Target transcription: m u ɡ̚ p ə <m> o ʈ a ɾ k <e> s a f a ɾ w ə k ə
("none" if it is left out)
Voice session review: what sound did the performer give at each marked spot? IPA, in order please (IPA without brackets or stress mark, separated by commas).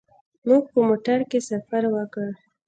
m, e